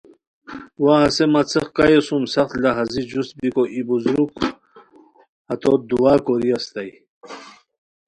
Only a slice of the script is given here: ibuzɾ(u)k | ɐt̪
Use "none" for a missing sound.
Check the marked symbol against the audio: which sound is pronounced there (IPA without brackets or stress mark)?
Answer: u